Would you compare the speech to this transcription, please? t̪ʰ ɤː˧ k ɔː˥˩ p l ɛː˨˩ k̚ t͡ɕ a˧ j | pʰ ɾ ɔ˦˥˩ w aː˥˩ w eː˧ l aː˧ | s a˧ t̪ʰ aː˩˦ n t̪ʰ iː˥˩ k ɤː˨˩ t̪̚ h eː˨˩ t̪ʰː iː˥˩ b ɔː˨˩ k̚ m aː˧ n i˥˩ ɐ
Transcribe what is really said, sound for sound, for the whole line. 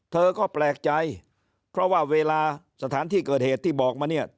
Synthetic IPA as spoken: t̪ʰ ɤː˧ k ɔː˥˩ p l ɛː˨˩ k̚ t͡ɕ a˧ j | pʰ ɾ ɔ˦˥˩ w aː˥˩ w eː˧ l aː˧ | s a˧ t̪ʰ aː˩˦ n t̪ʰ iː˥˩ k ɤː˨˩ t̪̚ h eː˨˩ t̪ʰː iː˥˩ b ɔː˨˩ k̚ m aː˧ n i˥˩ ɐ

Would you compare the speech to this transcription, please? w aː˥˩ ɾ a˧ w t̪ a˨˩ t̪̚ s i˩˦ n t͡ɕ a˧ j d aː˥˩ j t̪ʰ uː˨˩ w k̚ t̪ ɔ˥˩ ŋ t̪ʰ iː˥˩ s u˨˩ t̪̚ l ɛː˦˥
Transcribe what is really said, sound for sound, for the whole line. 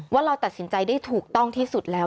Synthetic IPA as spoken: w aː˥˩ ɾ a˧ w t̪ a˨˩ t̪̚ s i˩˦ n t͡ɕ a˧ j d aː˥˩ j t̪ʰ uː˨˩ k̚ t̪ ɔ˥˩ ŋ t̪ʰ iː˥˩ s u˨˩ t̪̚ l ɛː˦˥

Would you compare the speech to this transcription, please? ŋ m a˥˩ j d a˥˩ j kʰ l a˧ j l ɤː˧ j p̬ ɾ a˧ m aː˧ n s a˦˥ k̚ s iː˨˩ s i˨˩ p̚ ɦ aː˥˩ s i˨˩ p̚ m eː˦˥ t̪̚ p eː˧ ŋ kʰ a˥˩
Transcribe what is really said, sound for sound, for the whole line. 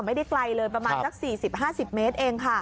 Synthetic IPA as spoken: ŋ m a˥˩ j d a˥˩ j k l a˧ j l ɤː˧ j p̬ ɾ a˧ m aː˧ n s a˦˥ k̚ s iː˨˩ s i˨˩ p̚ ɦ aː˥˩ s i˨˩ p̚ m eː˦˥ t̪̚ ʔ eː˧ ŋ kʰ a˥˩

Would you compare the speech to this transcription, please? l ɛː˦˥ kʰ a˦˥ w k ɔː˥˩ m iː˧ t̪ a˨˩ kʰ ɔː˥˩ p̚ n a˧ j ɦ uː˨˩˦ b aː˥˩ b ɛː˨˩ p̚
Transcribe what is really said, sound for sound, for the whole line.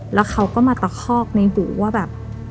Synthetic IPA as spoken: l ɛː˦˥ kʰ a˦˥ w k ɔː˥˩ m aː˧ t̪ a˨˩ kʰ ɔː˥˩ k̚ n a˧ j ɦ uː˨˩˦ w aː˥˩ b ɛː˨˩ p̚

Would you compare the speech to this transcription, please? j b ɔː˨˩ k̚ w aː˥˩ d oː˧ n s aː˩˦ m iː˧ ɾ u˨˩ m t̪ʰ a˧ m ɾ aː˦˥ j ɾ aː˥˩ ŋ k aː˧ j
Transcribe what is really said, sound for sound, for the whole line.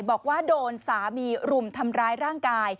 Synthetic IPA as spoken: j b ɔː˨˩ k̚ w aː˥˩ d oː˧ n s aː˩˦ m iː˧ ɾ u˨˩ m t̪ʰ a˧ m ɾ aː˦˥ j ɾ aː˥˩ ŋ k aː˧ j

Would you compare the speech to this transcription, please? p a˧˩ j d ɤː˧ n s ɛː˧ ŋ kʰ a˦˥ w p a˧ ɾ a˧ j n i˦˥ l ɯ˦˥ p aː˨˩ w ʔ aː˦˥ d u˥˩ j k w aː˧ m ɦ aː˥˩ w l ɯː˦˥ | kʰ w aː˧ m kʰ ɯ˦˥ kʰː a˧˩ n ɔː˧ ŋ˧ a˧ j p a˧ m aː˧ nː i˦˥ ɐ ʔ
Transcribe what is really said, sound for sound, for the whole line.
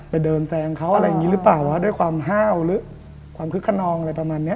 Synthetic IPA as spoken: p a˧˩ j d ɤː˧ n s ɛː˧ ŋ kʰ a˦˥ w ʔ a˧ ɾ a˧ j ŋ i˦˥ l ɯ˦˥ p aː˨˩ w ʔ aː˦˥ d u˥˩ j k w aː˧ m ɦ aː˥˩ w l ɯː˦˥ | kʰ w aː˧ m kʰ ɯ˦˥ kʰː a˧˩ n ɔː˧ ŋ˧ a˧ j p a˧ m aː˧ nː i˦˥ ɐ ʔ

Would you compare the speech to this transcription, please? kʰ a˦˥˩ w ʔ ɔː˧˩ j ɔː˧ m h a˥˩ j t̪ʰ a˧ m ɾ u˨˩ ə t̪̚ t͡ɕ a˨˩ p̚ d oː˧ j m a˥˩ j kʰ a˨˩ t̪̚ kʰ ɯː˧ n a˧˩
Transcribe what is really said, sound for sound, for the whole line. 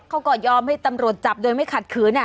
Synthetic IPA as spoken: kʰ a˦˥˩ w k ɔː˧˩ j ɔː˧ m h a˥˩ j t̪ a˧ m ɾ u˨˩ ə t̪̚ t͡ɕ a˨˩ p̚ d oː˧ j m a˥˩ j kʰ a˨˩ t̪̚ kʰ ɯː˩˦ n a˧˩

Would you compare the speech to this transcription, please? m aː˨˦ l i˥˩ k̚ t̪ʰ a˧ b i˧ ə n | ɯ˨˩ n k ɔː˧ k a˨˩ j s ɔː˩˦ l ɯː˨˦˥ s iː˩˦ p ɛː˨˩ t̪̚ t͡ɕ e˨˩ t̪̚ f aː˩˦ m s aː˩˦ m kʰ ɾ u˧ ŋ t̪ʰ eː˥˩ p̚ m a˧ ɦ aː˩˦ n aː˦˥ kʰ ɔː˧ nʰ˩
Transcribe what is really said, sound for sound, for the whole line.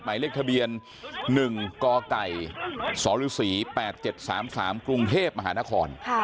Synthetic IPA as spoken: m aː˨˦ l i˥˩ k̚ t̪ʰ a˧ b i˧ ə nː | ɯ˨˩ ŋ k ɔː˧ k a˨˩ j s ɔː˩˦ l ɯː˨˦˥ s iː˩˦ p ɛː˨˩ t̪̚ t͡ɕ e˨˩ t̪̚ s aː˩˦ m s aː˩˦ m k ɾ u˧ ŋ t̪ʰ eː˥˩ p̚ m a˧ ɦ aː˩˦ n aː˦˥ kʰ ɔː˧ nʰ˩

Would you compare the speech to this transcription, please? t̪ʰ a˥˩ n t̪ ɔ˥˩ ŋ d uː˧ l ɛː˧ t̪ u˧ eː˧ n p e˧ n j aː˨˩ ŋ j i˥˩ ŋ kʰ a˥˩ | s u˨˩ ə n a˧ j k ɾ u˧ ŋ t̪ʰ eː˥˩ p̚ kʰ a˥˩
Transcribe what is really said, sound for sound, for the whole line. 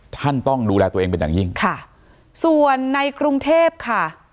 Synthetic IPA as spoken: t̪ʰ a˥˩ n t̪ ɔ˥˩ ŋ d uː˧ l ɛː˧ t̪ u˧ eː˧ ŋ p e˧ n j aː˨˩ ŋ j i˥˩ ŋ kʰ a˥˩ | s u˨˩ ə nː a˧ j k ɾ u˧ ŋ t̪ʰ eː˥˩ p̚ kʰ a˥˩

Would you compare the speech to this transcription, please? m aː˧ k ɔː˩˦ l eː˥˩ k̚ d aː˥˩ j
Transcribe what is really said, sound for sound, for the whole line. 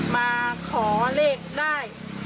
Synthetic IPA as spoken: m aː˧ kʰ ɔː˩˦ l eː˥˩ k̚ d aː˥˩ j

